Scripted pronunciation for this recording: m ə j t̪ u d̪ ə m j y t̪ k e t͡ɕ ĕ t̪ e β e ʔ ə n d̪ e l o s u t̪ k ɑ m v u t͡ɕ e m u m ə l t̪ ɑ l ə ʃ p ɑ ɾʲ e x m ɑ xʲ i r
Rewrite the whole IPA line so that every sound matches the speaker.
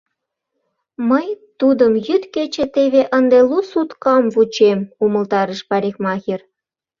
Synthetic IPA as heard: m ə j t̪ u d̪ ə m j y t̪ k e t͡ɕ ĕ t̪ e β e ʔ ə n d̪ e l u s u t̪ k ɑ m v u t͡ɕ e m u m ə l t̪ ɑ ɾ ə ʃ p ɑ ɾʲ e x m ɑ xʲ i r